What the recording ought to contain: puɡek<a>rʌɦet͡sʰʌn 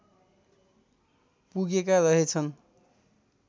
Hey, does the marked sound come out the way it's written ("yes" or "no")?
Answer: yes